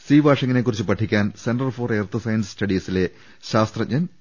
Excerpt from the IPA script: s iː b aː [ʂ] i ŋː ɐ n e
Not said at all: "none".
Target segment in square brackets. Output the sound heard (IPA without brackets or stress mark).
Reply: ʂ